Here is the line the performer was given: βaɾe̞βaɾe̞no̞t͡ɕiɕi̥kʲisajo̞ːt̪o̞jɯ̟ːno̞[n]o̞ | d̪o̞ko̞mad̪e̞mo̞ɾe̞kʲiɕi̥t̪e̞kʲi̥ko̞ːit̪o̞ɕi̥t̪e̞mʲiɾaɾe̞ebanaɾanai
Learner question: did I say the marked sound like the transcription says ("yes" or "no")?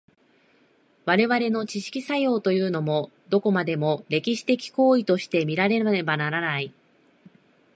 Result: no